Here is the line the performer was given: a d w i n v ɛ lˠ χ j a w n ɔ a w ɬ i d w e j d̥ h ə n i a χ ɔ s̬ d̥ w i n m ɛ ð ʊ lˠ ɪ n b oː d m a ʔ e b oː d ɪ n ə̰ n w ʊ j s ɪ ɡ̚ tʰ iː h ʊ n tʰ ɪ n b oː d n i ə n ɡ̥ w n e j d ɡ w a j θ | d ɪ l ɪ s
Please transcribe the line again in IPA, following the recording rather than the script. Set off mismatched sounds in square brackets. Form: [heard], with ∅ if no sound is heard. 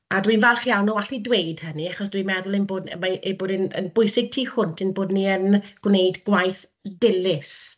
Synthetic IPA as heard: a d w i n v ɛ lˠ χ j a w n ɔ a [∅] ɬ i d w e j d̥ h ə n i a χ ɔ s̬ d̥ w i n m ɛ ð ʊ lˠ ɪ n b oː d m a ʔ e b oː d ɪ n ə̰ n [b] ʊ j s ɪ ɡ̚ tʰ iː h ʊ n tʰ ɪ n b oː d n i ə n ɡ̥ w n e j d ɡ w a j θ | d ɪ l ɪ s